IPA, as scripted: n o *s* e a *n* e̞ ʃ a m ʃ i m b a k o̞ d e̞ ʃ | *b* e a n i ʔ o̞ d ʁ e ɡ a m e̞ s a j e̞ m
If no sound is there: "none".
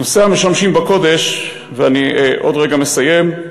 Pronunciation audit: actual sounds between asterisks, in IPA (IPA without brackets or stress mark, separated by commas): s, m, v